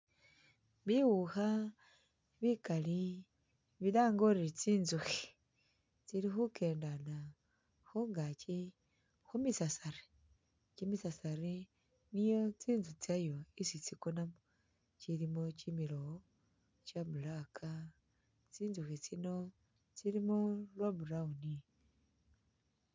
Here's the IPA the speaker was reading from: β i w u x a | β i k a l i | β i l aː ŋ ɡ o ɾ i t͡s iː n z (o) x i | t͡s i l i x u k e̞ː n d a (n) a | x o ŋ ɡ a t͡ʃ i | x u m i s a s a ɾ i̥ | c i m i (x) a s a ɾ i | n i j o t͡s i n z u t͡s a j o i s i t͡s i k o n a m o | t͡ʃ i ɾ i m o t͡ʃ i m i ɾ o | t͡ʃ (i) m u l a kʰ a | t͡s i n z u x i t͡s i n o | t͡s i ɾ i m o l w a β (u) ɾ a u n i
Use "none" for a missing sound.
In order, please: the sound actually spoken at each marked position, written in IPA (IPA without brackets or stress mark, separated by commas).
u, n, s, a, u